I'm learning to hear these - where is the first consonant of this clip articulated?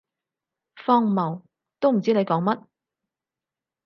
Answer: lips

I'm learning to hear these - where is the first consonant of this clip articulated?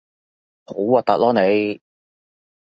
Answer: throat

